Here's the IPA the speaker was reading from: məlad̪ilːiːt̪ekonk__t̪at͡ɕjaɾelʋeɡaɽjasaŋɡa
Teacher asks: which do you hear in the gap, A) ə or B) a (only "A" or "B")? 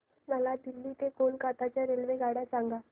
B